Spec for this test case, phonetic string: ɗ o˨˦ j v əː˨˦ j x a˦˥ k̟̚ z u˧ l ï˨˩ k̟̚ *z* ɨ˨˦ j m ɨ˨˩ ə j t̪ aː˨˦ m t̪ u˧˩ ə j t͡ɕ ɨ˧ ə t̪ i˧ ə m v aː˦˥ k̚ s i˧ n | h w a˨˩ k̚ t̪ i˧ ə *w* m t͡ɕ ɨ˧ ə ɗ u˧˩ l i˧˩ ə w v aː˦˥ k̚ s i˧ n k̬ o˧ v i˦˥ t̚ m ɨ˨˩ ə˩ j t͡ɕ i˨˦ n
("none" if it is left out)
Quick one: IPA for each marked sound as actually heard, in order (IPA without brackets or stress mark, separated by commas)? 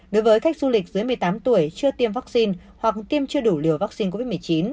z, none